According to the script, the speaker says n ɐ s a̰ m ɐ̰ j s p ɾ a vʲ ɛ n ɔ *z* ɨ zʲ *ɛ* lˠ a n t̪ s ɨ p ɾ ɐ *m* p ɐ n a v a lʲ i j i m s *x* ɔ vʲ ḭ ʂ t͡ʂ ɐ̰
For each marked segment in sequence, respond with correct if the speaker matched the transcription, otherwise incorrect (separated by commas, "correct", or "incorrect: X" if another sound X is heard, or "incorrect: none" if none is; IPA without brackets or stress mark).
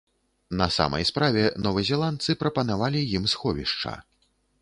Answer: incorrect: v, correct, incorrect: none, correct